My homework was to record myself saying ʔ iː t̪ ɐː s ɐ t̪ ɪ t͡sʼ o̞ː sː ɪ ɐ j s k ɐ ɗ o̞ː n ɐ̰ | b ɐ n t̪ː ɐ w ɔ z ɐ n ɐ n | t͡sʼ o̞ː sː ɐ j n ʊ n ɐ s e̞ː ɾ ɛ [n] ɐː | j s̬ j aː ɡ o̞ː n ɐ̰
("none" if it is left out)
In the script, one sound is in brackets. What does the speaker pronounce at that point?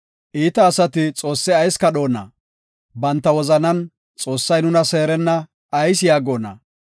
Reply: nː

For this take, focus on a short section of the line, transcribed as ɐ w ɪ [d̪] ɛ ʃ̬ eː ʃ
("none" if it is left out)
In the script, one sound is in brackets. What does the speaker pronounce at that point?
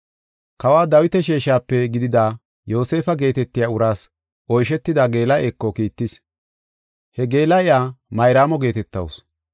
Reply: t̪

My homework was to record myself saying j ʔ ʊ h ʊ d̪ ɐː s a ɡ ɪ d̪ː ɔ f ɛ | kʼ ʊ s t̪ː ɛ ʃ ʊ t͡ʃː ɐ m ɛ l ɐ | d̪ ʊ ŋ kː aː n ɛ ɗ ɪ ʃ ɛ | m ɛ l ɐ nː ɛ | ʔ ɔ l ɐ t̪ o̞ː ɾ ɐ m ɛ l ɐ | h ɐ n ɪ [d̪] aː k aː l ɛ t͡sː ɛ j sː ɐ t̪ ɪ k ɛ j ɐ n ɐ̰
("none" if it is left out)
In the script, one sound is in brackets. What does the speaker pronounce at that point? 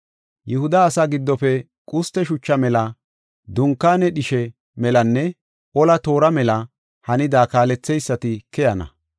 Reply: d̪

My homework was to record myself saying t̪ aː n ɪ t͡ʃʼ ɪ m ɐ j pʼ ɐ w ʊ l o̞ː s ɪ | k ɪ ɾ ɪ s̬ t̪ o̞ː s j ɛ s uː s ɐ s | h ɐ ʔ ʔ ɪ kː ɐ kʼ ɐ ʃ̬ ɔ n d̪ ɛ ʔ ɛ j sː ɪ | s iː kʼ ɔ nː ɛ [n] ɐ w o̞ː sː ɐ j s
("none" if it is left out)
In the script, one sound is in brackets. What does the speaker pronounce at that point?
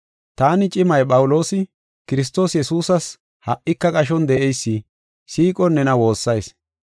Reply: n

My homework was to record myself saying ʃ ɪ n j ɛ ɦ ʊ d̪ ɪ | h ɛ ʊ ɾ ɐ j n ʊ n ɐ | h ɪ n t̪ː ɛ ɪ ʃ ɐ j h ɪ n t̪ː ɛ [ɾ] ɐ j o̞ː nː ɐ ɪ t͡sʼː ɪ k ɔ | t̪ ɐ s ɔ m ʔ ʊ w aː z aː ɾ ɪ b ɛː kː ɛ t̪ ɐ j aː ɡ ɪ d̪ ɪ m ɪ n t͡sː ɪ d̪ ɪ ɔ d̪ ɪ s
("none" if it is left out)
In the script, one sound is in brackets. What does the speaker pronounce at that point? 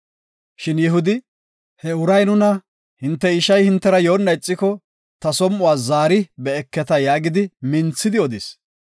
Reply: ɾ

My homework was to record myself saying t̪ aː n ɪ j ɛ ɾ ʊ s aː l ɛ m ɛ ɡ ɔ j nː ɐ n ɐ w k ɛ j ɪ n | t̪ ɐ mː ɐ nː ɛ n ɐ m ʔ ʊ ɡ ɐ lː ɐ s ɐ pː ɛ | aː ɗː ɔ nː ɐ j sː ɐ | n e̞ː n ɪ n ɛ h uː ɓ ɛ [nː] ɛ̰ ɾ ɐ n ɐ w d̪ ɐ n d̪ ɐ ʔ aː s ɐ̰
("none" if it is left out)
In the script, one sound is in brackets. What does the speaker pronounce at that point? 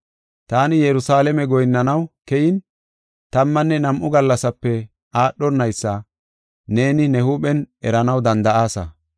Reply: n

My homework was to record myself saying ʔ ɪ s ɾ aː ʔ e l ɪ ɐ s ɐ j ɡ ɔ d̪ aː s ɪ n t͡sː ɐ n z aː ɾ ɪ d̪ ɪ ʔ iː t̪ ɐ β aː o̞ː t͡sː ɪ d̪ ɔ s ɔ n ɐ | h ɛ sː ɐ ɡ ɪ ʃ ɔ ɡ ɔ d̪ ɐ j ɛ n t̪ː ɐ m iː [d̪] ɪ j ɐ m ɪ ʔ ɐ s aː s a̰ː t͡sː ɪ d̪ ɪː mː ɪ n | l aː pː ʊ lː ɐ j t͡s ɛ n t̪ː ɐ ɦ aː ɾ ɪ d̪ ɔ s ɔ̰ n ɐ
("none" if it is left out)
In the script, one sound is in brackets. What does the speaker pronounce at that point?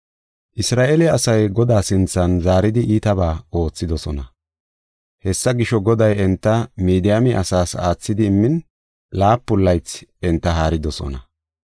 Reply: d̪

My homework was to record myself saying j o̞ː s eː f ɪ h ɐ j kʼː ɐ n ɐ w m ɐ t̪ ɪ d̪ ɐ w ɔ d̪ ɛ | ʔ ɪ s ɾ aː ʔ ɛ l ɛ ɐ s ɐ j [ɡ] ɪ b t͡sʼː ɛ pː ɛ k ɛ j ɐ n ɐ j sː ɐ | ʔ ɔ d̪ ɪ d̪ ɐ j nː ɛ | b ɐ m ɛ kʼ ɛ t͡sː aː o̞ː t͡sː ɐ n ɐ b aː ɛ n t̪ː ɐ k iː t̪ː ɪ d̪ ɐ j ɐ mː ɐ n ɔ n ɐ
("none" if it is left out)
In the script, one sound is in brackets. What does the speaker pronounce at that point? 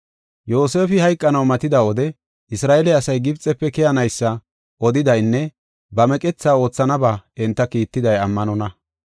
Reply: ɡ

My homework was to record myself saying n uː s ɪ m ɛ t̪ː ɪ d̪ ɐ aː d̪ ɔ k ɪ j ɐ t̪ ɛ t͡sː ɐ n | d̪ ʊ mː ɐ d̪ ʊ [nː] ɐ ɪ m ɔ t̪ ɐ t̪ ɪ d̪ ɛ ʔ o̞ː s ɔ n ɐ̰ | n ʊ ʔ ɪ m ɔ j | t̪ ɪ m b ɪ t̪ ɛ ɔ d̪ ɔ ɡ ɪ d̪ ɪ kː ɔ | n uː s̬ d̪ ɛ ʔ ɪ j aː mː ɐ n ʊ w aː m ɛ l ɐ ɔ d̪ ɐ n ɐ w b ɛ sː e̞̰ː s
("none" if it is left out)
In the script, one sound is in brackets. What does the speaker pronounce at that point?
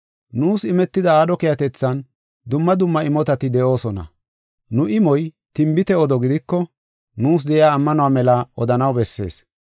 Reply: mː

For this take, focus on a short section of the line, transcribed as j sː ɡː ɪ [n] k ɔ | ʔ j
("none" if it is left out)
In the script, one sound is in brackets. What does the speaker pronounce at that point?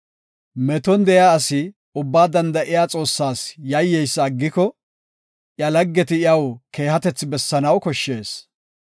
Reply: none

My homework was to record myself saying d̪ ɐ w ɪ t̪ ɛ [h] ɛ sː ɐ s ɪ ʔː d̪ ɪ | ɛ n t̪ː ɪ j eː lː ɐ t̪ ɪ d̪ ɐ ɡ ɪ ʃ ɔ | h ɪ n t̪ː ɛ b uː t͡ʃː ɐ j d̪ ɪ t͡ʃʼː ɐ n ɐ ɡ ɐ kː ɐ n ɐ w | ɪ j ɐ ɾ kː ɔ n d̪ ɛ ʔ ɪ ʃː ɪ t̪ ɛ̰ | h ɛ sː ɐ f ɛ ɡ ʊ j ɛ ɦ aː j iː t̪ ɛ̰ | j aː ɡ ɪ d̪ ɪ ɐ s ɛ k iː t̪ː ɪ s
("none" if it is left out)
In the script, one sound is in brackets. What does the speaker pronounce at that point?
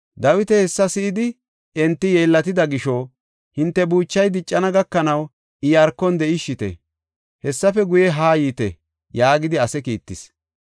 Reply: h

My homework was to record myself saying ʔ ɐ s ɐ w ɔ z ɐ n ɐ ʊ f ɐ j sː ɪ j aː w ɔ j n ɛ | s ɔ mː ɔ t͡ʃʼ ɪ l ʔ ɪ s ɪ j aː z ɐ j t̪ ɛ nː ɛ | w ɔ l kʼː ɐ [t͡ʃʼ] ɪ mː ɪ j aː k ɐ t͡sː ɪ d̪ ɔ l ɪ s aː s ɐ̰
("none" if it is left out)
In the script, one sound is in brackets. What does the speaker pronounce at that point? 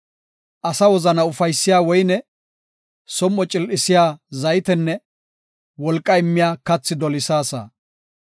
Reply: none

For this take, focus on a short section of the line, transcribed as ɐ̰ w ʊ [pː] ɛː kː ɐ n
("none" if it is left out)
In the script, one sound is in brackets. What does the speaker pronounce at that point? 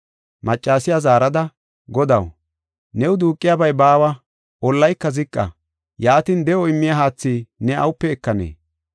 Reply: pː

